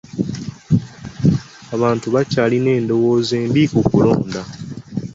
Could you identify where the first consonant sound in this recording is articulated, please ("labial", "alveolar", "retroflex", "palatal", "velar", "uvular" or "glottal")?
labial